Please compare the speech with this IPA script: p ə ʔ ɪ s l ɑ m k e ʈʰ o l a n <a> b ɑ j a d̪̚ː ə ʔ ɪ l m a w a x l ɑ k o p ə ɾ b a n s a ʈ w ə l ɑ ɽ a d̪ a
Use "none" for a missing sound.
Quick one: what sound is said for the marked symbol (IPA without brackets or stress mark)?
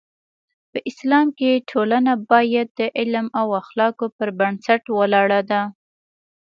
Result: a